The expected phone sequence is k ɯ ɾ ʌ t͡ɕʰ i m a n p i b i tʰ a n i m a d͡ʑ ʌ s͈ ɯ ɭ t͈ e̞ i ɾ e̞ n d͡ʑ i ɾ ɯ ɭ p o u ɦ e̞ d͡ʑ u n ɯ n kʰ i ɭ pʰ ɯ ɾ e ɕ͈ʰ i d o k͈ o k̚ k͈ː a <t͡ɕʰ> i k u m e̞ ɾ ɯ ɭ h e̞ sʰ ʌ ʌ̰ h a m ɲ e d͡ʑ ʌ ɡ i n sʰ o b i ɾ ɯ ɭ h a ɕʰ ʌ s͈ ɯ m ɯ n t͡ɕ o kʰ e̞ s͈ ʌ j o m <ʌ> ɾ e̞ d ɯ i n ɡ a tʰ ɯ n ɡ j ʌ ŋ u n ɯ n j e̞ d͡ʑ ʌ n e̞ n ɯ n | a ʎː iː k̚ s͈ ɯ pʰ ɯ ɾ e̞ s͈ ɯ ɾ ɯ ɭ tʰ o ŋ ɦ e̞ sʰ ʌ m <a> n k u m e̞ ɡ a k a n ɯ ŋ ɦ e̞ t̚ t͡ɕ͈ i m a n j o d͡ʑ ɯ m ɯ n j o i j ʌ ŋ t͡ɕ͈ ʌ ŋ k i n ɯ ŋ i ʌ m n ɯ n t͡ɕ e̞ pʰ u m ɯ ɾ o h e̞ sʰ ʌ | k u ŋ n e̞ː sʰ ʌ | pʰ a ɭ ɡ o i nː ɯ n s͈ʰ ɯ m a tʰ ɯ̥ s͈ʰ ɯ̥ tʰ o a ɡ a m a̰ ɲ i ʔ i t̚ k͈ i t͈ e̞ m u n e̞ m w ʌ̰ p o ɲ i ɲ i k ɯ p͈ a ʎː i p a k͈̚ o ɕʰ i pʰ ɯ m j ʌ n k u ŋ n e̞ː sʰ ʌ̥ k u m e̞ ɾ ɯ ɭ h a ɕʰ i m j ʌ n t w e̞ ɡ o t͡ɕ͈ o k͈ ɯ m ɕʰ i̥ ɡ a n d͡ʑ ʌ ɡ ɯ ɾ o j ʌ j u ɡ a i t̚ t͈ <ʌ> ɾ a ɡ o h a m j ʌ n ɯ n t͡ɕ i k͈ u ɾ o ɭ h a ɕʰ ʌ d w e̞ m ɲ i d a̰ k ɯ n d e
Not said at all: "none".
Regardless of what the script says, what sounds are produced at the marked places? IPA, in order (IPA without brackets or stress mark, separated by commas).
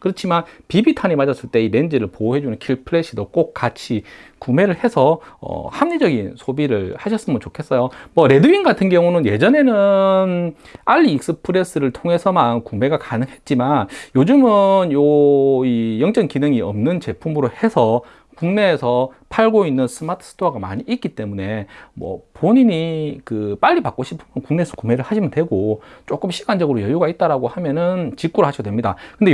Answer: t͡ɕʰ, ʌ, a, a